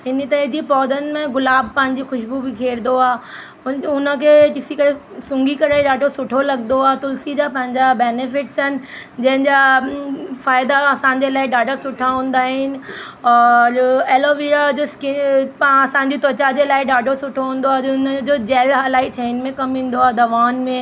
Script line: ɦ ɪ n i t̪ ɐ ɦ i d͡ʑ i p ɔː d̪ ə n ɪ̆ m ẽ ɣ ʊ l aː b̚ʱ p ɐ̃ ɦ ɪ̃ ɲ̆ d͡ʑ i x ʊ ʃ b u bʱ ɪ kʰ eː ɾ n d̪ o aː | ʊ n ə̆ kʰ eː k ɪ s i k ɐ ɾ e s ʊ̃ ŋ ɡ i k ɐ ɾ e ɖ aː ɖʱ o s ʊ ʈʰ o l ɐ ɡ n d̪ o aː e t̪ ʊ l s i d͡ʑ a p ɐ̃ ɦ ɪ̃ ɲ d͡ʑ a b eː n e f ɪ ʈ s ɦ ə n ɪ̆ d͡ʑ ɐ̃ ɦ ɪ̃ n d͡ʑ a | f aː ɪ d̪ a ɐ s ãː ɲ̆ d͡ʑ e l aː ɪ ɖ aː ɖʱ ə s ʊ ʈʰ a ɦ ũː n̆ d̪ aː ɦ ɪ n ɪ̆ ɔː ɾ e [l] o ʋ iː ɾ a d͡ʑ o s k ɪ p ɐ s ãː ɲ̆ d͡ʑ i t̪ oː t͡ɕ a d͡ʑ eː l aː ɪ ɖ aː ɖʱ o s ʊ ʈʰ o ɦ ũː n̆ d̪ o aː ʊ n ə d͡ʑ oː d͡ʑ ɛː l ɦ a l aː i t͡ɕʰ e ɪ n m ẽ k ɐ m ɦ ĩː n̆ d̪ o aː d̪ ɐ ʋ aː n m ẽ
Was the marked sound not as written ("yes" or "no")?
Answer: no